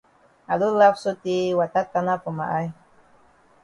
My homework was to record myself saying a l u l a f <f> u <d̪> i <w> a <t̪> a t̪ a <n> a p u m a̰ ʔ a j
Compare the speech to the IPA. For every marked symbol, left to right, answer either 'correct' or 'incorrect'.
incorrect: s, incorrect: t̪, correct, correct, correct

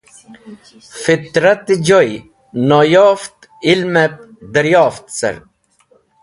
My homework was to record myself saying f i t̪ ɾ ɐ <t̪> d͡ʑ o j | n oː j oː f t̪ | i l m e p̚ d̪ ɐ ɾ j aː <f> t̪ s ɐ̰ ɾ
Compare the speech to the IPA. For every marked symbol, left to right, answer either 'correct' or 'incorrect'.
correct, correct

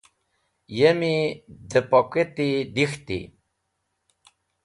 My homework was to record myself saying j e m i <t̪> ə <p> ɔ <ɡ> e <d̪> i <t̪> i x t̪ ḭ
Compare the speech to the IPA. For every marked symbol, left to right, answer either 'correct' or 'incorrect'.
incorrect: d̪, correct, incorrect: k, incorrect: t̪, incorrect: d̪

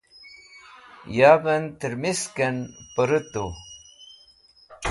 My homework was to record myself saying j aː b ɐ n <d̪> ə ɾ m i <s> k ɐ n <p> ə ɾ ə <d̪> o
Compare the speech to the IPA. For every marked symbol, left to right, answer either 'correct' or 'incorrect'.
incorrect: t̪, correct, correct, incorrect: t̪

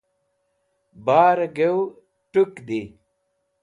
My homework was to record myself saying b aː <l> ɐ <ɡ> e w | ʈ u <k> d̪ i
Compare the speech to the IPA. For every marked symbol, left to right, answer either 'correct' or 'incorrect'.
incorrect: ɾ, correct, correct

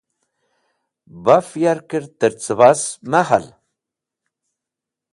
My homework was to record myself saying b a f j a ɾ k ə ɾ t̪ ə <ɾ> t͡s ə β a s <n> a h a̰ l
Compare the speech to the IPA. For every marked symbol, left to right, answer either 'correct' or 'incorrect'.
correct, incorrect: m

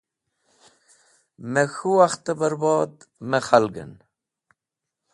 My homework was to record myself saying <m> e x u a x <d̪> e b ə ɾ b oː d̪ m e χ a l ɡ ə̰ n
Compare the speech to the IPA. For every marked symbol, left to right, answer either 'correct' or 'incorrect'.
correct, incorrect: t̪

